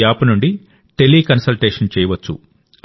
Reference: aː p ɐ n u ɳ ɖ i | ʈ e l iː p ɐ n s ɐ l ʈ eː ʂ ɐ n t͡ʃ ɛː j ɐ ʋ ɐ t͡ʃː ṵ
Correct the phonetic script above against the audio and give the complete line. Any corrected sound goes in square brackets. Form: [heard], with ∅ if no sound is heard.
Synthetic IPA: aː p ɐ n u ɳ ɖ i | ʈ e l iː [k] ɐ n s ɐ l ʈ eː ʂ ɐ n t͡ʃ ɛː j ɐ ʋ ɐ t͡ʃː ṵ